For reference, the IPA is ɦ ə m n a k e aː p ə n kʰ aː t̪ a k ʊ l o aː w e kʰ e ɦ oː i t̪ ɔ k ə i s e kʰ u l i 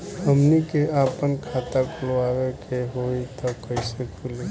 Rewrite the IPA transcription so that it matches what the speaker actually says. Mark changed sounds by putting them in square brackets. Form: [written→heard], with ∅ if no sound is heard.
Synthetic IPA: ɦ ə m n [a→i] k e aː p ə n kʰ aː t̪ a k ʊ l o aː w e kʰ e ɦ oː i t̪ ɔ k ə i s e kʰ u l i